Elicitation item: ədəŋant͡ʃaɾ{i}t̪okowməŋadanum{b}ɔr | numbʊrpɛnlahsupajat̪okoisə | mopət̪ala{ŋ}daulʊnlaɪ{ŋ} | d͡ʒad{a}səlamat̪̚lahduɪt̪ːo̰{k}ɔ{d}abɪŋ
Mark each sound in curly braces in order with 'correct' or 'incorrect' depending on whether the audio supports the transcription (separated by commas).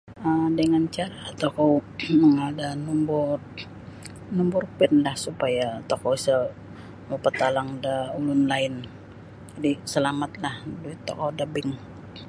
incorrect, correct, correct, incorrect, incorrect, correct, correct